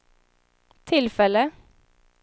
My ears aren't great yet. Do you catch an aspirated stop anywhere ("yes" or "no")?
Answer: yes